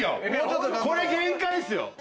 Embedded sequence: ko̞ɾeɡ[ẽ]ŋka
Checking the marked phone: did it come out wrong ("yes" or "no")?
no